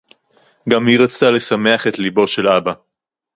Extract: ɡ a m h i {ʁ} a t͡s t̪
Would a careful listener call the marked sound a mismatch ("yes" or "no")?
no